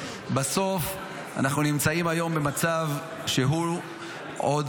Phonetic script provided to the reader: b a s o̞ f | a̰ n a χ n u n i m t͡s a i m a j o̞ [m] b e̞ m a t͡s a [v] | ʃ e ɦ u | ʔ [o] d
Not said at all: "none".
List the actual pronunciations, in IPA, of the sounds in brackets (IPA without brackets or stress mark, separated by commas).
m, v, o